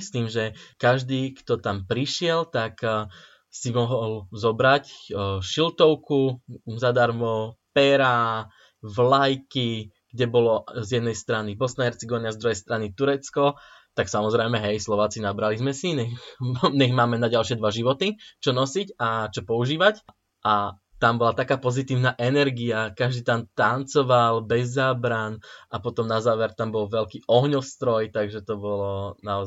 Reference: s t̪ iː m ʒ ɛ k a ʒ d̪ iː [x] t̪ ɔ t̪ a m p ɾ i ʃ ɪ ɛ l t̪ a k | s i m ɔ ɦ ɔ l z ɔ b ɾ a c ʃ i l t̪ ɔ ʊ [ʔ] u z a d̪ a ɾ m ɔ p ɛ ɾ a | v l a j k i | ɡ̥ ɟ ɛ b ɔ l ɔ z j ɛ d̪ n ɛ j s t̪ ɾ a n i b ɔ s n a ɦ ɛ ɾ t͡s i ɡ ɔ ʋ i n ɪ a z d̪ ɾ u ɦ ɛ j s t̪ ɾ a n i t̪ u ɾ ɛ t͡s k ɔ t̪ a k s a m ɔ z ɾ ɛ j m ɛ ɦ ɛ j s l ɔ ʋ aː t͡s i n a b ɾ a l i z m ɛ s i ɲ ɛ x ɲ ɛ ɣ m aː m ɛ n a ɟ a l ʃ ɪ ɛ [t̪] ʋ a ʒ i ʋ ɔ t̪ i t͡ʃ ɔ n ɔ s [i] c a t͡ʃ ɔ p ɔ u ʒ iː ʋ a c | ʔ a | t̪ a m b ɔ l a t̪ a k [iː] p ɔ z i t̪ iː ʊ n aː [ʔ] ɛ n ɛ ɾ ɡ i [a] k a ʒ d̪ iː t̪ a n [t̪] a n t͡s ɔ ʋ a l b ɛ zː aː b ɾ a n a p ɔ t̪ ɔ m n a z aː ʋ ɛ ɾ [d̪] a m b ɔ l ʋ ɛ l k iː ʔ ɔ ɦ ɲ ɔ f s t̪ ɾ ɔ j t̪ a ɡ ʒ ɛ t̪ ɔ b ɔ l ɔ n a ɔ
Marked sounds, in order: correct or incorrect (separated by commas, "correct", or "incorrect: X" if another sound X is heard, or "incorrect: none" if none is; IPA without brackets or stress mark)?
incorrect: k, incorrect: k, incorrect: d̪, correct, incorrect: aː, correct, correct, correct, incorrect: t̪